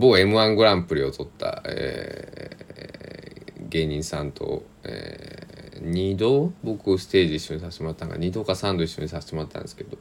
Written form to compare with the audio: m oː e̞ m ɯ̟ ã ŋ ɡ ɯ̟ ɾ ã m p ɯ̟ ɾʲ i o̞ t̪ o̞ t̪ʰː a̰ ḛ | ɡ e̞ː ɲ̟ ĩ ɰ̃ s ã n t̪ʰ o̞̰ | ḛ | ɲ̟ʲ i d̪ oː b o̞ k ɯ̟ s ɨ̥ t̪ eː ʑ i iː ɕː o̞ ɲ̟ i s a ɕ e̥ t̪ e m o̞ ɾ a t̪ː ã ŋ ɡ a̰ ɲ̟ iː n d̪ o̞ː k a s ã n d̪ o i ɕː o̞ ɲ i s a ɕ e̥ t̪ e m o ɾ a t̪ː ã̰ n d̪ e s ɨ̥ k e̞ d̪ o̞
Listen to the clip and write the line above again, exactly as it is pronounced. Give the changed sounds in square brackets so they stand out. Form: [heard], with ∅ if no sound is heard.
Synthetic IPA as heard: [b] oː e̞ m ɯ̟ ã ŋ ɡ ɯ̟ ɾ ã m p ɯ̟ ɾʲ i o̞ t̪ o̞ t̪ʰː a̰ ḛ | ɡ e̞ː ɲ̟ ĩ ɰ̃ s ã n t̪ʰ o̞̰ | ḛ | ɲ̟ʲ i d̪ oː b o̞ k ɯ̟ s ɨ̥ t̪ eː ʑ i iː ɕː o̞ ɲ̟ i s a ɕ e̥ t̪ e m o̞ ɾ a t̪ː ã ŋ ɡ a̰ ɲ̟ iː [∅] d̪ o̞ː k a s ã n d̪ o i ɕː o̞ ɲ i s a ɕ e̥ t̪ e m o ɾ a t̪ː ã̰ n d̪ e s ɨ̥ k e̞ d̪ o̞